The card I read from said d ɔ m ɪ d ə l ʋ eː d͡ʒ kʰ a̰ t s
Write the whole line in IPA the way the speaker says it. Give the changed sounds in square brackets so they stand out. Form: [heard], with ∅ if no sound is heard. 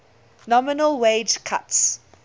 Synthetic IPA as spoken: [n] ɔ m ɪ [n] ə l [w] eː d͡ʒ kʰ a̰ t s